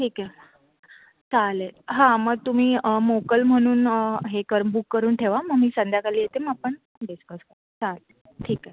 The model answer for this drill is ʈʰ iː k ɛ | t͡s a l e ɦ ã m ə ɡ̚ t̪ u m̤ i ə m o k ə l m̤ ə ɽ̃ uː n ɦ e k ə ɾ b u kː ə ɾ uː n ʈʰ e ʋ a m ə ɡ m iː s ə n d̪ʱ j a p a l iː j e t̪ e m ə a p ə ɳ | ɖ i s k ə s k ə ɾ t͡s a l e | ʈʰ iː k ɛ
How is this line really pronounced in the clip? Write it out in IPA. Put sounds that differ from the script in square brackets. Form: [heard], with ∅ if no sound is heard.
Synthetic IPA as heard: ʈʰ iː k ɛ | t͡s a l e ɦ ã m ə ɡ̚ t̪ u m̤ [iː] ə m o k ə l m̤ ə ɽ̃ uː n ɦ e k ə ɾ b u kː ə ɾ uː n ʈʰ e ʋ a m ə ɡ m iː s ə n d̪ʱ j a [k] a l iː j e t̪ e m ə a p ə ɳ | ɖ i s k ə s k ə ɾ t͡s a l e | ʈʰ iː k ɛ